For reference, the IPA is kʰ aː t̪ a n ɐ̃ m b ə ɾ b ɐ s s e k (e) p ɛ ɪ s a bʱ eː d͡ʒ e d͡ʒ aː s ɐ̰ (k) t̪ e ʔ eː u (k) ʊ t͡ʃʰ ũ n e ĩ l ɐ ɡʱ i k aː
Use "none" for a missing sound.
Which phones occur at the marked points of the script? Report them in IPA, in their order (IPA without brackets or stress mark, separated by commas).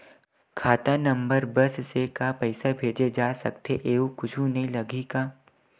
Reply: a, k, k